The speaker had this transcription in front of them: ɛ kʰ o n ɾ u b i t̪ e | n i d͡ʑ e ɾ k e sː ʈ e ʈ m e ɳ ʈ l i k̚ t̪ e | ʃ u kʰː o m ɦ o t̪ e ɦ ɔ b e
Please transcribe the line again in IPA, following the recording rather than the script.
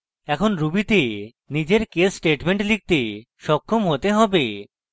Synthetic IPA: ɛ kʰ o n ɾ u b i t̪ e | n i d͡ʑ e ɾ k e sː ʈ e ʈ m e ɳ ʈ l i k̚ t̪ e | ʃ ɔ kʰː o m ɦ o t̪ e ɦ ɔ b e

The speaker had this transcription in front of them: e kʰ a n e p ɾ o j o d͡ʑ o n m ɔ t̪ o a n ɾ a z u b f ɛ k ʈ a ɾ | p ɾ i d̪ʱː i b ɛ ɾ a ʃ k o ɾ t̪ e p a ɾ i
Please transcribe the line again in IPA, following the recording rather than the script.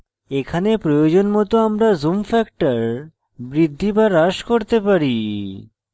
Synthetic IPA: e kʰ a n e p ɾ o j o d͡ʑ o n m ɔ t̪ o a m ɾ a z u m f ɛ k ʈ a ɾ | b ɾ i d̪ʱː i b a ɾ a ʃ k o ɾ t̪ e p a ɾ i

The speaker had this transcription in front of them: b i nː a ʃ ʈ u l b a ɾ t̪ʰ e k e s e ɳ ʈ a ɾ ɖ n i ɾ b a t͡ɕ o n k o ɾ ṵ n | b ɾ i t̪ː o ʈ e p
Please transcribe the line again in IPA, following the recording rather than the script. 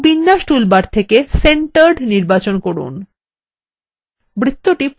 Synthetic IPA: b i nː a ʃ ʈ u l b a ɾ t̪ʰ e k e s e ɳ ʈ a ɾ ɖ n i ɾ b a t͡ɕ o n k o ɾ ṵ n | b ɾ i t̪ː o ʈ i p

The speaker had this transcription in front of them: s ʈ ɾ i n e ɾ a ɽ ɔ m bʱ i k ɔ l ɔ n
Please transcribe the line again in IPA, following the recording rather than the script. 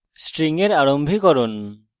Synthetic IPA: s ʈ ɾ i ŋ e ɾ a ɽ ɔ m bʱ i k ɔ ɾ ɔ n

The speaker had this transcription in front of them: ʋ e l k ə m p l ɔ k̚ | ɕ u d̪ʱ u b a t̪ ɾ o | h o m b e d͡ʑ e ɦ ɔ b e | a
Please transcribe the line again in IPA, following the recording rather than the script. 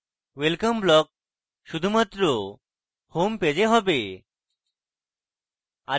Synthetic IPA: ʋ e l k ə m b l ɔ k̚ | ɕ u d̪ʱ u m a t̪ ɾ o | h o m p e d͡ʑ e ɦ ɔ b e | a

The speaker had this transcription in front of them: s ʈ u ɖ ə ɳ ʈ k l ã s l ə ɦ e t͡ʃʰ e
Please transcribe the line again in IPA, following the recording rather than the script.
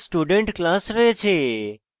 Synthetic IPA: s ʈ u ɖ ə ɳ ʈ k l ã s ɾ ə ɦ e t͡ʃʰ e

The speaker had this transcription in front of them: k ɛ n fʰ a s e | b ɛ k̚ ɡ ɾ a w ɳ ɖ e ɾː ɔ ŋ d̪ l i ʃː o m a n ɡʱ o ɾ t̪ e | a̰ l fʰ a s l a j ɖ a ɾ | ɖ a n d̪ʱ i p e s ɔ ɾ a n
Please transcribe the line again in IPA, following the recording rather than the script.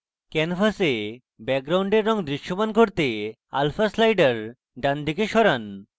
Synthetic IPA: k ɛ n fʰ a s e | b ɛ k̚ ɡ ɾ a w ɳ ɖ e ɾː ɔ ŋ d̪ ɾ i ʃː o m a n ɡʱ o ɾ t̪ e | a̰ l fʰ a s l a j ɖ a ɾ | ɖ a n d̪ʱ i k e ʃ ɔ ɾ a n

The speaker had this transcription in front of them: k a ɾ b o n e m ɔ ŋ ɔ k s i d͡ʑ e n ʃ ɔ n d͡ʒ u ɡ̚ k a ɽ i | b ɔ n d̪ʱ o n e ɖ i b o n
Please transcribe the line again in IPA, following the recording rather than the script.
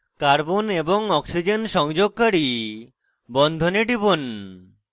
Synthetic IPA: k a ɾ b o n e b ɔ ŋ ɔ k s i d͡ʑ e n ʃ ɔ ŋ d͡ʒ o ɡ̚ k a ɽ i | b ɔ n d̪ʱ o n e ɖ i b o n

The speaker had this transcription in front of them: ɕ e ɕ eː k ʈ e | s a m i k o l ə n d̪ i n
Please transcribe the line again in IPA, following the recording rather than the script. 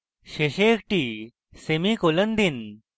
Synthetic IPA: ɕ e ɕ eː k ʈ i | s e m i k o l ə n d̪ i n

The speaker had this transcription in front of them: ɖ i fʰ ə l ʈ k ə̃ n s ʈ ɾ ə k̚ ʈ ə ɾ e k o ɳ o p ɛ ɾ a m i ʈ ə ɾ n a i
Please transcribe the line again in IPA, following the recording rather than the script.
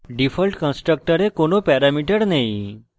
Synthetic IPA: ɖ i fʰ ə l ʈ k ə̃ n s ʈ ɾ ə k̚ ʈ ə ɾ e k o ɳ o p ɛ ɾ a m i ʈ ə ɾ n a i

